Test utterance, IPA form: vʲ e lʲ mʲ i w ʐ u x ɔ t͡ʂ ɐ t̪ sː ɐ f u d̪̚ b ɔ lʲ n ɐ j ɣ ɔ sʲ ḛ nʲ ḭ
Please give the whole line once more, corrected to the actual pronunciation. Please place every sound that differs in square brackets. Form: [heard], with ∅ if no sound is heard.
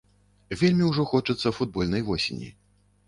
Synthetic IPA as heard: vʲ e lʲ mʲ i w ʐ [ɔ] x ɔ t͡ʂ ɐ t̪ sː ɐ f u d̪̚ b ɔ lʲ n ɐ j [v] ɔ sʲ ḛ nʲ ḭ